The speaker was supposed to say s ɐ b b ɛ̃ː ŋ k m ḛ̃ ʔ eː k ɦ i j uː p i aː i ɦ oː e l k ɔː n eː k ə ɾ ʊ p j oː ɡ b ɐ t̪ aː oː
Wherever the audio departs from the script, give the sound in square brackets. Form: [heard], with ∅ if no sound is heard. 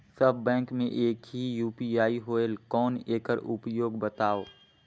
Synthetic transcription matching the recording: s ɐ b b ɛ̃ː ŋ k m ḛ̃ ʔ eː k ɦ i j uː p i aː i ɦ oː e l k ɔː n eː k ə ɾ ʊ p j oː ɡ b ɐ t̪ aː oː